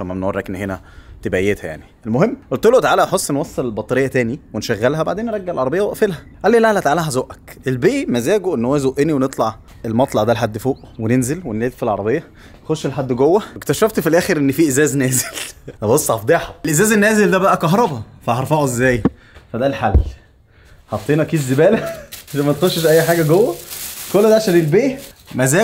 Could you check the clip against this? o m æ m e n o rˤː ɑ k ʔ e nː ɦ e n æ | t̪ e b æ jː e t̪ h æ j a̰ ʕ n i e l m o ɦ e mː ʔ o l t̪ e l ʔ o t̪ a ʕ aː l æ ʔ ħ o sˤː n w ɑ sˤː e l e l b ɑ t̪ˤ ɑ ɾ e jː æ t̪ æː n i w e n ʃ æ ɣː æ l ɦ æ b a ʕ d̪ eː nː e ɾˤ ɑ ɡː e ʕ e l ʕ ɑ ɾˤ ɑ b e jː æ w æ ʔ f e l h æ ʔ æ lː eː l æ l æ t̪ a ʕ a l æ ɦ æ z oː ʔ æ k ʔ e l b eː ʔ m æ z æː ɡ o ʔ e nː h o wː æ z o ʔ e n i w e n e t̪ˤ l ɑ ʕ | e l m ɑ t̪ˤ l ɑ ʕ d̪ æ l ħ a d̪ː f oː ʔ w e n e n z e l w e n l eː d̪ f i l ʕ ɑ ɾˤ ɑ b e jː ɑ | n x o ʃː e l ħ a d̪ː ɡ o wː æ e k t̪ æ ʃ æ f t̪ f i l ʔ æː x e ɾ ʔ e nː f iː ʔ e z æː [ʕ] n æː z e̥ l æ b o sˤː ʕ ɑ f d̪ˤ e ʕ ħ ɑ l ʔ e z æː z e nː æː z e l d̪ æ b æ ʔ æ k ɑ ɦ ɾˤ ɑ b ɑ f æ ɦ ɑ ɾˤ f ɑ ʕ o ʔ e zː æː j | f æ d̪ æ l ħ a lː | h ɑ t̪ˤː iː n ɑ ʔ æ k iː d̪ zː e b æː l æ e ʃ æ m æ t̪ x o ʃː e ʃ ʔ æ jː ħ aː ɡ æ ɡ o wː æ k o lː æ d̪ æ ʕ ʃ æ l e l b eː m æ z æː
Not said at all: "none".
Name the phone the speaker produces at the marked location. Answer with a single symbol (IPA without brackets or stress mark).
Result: z